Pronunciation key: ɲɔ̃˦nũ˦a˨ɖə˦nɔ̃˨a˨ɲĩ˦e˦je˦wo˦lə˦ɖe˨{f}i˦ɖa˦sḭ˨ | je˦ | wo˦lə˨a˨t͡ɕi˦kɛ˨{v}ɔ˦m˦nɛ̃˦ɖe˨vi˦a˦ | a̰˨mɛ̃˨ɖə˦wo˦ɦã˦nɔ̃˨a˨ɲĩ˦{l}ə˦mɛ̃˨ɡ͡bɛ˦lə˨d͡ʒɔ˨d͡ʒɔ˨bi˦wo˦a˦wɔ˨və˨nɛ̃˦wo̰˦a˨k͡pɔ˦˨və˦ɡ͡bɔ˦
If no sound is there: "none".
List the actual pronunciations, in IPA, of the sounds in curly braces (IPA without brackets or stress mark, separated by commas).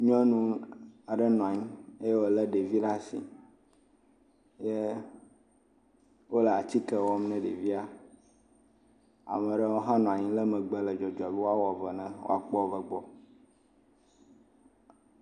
v, w, l